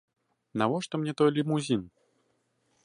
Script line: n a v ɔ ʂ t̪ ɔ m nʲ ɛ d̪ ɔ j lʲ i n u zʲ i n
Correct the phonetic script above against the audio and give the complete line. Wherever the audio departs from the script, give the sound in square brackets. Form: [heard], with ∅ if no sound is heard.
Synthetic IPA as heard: n a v ɔ ʂ t̪ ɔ m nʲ ɛ [t̪] ɔ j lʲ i [m] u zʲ i n